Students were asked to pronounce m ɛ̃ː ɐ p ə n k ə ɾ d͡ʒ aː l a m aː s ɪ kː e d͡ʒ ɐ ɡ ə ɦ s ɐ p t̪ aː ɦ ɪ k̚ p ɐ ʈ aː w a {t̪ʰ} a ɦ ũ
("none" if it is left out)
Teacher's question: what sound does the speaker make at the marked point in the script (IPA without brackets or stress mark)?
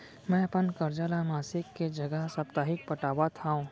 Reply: t̪ʰ